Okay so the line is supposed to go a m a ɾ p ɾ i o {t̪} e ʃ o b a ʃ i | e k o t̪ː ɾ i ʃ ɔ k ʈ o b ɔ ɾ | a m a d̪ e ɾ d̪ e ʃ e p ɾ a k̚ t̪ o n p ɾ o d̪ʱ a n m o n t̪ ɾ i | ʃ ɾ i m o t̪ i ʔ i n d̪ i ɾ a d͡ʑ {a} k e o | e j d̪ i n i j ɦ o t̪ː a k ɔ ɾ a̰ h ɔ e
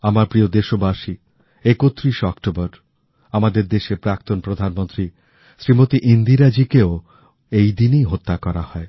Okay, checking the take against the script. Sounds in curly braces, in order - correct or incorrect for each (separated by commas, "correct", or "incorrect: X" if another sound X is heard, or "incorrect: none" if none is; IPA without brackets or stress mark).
incorrect: d̪, incorrect: i